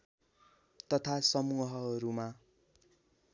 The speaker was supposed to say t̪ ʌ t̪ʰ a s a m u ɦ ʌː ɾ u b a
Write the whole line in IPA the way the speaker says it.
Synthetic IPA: t̪ ʌ t̪ʰ a s ʌ m u ɦ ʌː ɾ u m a